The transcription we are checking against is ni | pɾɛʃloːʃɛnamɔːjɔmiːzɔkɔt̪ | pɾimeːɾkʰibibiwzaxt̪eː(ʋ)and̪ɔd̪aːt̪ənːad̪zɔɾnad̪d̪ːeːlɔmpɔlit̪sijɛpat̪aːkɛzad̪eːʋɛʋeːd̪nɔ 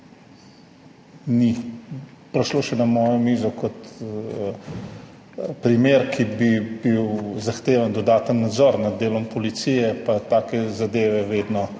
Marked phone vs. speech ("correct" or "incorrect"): correct